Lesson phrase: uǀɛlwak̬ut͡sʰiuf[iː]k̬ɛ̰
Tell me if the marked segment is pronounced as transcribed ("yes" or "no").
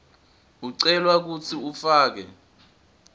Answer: no